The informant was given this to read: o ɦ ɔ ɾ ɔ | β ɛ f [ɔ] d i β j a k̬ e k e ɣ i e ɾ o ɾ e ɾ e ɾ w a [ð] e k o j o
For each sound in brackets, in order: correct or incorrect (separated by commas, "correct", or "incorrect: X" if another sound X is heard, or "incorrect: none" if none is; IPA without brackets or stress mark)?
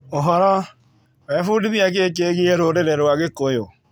incorrect: u, incorrect: ɣ